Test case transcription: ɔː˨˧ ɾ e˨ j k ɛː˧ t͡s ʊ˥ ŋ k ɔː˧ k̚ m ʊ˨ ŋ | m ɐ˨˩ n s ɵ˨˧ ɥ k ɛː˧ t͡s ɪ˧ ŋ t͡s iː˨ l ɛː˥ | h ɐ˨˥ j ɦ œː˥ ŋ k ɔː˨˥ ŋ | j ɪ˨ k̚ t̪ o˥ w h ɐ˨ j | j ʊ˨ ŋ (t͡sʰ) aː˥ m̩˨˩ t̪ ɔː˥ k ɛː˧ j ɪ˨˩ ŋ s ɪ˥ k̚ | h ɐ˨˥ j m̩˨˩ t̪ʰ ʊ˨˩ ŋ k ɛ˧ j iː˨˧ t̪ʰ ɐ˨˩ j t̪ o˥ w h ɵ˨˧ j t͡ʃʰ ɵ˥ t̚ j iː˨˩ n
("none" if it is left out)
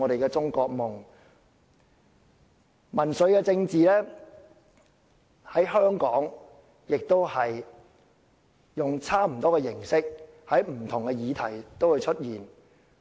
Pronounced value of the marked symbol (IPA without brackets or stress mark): t͡sʰ